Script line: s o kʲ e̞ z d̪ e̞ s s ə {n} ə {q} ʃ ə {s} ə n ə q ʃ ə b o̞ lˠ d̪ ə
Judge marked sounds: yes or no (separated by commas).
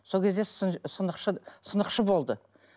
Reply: yes, yes, yes